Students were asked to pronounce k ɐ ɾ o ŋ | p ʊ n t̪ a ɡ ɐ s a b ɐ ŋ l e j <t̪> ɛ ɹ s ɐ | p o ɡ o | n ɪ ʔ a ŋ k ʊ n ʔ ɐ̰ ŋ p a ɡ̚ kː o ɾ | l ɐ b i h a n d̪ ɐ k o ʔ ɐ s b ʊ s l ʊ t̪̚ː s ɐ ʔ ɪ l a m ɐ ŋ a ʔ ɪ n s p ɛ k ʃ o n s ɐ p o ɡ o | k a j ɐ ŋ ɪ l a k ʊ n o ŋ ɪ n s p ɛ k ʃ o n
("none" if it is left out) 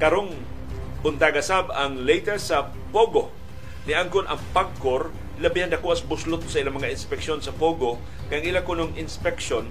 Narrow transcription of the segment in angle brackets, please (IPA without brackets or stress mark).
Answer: t̪